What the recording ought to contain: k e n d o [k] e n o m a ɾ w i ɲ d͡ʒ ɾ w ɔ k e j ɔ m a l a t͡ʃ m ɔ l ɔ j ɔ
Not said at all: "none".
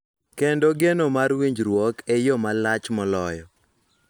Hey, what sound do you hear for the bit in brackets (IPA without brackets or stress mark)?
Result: ɡ